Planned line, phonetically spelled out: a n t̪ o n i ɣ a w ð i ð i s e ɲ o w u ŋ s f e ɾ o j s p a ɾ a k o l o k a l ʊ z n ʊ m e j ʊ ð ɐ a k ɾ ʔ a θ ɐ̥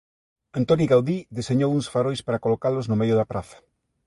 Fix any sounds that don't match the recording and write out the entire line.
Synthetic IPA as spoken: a n t̪ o n i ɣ a w ð i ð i s e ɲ o w u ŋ s f a ɾ o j s p a ɾ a k o l o k a l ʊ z n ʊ m e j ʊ ð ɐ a p ɾ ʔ a θ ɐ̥